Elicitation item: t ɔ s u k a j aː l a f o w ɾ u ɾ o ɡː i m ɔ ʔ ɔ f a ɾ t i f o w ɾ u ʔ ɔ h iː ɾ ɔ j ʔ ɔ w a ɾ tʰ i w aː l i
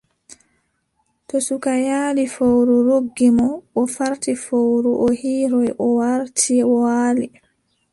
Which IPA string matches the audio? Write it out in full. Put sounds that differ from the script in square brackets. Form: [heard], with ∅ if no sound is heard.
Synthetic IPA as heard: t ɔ s u k a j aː l [i] f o w ɾ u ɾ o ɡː i m ɔ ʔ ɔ f a ɾ t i f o w ɾ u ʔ ɔ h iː ɾ ɔ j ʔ ɔ w a ɾ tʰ i w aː l i